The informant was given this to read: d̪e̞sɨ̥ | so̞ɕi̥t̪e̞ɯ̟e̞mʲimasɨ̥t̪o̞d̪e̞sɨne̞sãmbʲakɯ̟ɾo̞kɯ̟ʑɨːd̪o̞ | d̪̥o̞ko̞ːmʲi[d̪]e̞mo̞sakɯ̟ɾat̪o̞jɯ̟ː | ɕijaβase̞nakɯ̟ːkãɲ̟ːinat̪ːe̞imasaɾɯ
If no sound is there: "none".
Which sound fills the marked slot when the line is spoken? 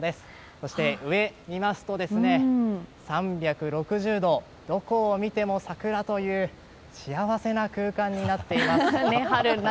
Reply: t̪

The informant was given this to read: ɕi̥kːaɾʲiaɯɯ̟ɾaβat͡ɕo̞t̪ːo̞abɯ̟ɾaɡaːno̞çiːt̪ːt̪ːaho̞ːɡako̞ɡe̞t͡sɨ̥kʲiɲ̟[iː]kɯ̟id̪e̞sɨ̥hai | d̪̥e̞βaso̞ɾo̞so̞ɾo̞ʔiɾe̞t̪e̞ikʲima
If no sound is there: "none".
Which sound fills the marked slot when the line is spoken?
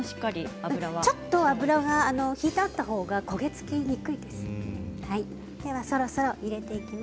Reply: i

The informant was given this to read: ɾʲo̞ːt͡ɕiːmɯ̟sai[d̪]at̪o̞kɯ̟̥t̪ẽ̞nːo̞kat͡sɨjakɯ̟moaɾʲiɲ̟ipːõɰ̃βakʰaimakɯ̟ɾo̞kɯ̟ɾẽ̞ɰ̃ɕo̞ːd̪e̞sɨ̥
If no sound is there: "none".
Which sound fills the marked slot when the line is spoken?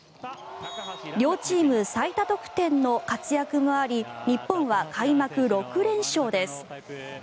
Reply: t̪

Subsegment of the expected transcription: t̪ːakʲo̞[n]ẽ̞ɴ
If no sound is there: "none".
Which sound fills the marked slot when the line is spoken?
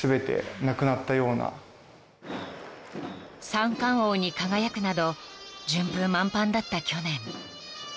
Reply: n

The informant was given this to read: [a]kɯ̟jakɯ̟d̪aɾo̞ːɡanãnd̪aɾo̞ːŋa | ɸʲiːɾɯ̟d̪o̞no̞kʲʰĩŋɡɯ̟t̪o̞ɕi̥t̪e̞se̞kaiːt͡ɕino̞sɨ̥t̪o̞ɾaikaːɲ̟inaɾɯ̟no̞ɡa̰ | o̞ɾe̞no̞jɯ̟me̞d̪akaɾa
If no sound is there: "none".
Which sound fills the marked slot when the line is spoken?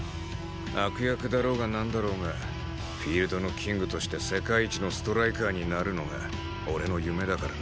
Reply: a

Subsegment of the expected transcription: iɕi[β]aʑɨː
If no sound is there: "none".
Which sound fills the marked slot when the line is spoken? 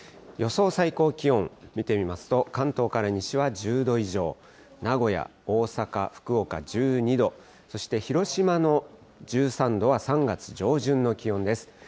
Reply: β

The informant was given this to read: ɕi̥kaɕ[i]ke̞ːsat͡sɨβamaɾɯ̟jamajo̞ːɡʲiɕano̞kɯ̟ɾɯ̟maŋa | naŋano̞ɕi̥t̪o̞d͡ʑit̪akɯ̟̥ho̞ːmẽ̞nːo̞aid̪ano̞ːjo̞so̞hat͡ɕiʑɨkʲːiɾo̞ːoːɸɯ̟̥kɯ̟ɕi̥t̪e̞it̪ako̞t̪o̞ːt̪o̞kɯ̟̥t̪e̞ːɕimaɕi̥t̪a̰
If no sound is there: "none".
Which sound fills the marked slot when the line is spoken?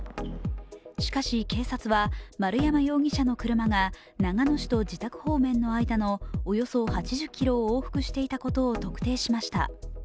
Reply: i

